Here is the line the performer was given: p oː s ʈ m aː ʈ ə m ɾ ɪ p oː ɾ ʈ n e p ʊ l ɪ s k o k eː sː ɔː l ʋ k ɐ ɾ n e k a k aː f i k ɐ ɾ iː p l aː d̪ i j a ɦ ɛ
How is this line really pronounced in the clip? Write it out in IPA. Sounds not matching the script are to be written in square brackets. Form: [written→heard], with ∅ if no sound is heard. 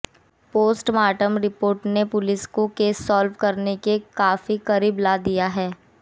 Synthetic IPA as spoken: p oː s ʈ m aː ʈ ə m ɾ ɪ p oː ɾ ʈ n e p ʊ l ɪ s k o k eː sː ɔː l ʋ k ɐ ɾ n e k [a→e] k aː f i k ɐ ɾ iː [p→b] l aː d̪ i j a ɦ [ɛ→ɛː]

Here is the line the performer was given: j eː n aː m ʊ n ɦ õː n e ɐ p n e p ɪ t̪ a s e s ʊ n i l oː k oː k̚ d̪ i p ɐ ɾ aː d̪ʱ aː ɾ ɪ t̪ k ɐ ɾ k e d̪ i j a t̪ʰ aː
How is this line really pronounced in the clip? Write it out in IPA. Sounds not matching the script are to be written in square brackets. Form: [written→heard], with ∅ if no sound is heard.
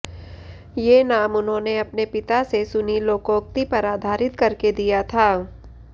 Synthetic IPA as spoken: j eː n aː m ʊ n ɦ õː n e ɐ p n e p ɪ t̪ a s e s ʊ n i l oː k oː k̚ [d̪→t̪] i p ɐ ɾ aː d̪ʱ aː ɾ ɪ t̪ k ɐ ɾ k e d̪ i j a t̪ʰ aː

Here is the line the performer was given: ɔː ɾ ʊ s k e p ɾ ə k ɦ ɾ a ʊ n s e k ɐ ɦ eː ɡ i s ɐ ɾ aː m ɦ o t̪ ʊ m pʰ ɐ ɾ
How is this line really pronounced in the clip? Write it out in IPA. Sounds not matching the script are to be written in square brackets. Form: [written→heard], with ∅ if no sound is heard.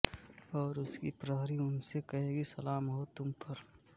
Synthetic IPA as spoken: ɔː ɾ ʊ s k [e→i] p ɾ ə [k→∅] ɦ ɾ [a→i] ʊ n s e k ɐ ɦ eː ɡ i s ɐ [ɾ→l] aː m ɦ o t̪ ʊ m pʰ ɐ ɾ

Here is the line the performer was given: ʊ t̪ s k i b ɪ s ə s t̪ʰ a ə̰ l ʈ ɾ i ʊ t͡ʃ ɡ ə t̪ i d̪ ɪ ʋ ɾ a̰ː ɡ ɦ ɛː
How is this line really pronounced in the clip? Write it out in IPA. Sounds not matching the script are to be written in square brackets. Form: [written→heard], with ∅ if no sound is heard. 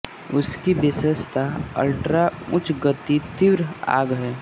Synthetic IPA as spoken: ʊ [t̪→∅] s k i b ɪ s ə s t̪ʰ a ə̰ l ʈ ɾ [i→a] ʊ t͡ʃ ɡ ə t̪ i [d̪→t̪] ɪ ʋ ɾ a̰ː ɡ ɦ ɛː

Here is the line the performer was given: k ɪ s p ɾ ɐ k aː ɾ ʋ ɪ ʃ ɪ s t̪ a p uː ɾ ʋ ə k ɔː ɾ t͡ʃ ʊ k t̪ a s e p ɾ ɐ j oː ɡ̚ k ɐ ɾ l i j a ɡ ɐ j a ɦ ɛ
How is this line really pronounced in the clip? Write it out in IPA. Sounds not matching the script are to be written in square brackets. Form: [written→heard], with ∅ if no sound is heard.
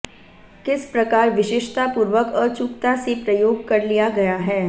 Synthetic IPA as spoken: k ɪ s p ɾ ɐ k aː ɾ ʋ ɪ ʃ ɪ [s→ʃ] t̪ a p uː ɾ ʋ ə k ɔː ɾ t͡ʃ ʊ k t̪ a s e p ɾ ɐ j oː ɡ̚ k ɐ ɾ l i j a ɡ ɐ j a ɦ [ɛ→ɛː]

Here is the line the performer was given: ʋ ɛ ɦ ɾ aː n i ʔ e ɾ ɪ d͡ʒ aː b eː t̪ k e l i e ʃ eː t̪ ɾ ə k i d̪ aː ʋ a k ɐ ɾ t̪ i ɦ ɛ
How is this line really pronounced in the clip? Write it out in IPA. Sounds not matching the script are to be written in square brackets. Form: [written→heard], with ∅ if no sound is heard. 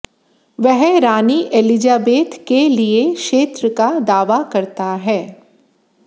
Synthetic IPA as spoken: ʋ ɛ ɦ ɾ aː n i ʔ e [ɾ→l] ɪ d͡ʒ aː b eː t̪ k e l i e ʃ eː t̪ ɾ ə k [i→a] d̪ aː ʋ a k ɐ ɾ t̪ [i→a] ɦ [ɛ→ɛː]

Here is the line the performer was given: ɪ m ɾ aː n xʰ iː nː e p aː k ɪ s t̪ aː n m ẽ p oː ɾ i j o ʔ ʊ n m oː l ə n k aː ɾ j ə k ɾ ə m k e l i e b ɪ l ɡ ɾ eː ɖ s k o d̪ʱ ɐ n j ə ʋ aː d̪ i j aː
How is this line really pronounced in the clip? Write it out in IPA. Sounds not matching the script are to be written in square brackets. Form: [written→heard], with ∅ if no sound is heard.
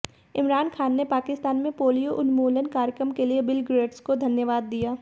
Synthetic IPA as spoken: ɪ m ɾ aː n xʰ [iː→aː] nː e p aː k ɪ s t̪ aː n m ẽ p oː [ɾ→l] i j o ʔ ʊ n m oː l ə n k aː ɾ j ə k ɾ ə m k e l i e b ɪ l ɡ ɾ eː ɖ s k o d̪ʱ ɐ n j ə ʋ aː [d̪→d̪ː] i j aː

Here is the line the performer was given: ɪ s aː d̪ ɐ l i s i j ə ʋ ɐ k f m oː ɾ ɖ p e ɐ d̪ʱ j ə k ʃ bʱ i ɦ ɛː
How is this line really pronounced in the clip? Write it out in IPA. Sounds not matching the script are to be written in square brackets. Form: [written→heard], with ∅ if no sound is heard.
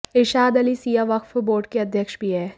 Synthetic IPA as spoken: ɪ [s→ʃ] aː d̪ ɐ l i s i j [ə→a] ʋ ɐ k f [m→b] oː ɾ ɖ [p→k] e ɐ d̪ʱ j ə k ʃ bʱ i ɦ ɛː

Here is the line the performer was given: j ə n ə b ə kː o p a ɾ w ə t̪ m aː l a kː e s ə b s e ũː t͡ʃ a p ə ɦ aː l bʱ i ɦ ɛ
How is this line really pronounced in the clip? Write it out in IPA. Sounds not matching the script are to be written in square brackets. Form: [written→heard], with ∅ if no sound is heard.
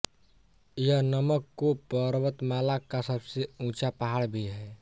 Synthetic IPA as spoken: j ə n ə [b→m] ə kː o p [a→ə] ɾ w ə t̪ m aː l a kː [e→a] s ə b s e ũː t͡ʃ a p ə ɦ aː [l→ɽ] bʱ i ɦ ɛ

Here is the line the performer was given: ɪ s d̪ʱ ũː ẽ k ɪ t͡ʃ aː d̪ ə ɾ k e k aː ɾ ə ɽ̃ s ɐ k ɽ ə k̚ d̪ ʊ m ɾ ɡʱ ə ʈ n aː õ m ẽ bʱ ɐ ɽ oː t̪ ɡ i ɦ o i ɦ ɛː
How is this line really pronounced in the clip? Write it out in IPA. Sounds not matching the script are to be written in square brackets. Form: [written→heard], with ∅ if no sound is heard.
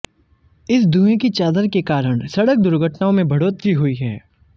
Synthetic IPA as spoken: ɪ s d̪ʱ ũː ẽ k [ɪ→i] t͡ʃ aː d̪ ə ɾ k e k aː ɾ ə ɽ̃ s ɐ [k→∅] ɽ ə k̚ d̪ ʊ [m→∅] ɾ ɡʱ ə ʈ n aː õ m ẽ bʱ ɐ ɽ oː t̪ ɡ i ɦ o i ɦ ɛː

